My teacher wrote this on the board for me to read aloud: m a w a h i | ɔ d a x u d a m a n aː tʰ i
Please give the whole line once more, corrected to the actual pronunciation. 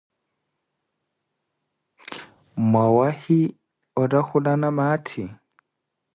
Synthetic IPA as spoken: m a w a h i | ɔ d a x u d a n a m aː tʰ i